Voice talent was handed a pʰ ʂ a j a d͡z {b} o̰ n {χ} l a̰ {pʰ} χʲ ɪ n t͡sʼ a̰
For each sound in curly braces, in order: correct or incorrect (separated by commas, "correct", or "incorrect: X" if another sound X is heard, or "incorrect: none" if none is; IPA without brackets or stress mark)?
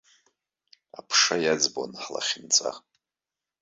correct, incorrect: ħ, incorrect: none